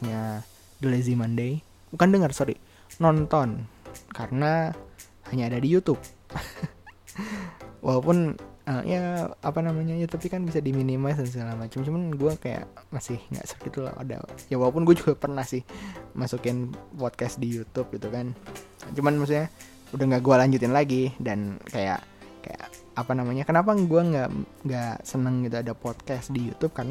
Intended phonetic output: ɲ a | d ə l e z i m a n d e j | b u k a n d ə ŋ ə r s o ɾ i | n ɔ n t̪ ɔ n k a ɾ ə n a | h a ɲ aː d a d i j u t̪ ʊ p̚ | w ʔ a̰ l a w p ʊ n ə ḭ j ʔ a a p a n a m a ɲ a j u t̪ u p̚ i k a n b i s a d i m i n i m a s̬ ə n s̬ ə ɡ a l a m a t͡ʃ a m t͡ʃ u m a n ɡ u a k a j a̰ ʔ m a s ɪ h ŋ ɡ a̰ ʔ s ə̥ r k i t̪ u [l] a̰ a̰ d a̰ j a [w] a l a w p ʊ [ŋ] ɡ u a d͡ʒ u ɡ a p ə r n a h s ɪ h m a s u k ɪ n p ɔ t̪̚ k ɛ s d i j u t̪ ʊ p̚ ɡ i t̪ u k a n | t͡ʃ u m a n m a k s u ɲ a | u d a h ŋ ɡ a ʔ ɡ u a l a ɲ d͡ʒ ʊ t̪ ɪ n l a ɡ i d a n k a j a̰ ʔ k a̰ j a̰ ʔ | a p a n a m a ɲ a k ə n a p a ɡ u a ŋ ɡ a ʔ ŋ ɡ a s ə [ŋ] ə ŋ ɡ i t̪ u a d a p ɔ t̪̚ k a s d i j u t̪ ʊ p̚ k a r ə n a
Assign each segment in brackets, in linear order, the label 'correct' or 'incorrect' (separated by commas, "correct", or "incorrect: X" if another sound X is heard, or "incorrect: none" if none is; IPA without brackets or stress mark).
correct, correct, incorrect: n, incorrect: n